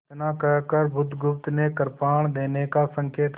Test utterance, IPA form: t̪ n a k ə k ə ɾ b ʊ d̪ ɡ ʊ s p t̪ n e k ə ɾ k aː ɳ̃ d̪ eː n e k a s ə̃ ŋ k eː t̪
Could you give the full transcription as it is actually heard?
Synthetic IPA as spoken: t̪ n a k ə k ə ɾ b ʊ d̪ ɡ ʊ p t̪ n e k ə ɾ p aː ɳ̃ d̪ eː n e k a s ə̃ ŋ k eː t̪